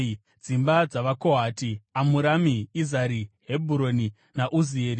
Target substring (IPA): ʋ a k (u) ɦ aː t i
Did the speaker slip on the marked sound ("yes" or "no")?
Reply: yes